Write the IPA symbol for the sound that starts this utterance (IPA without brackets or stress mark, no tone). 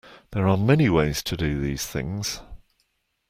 ð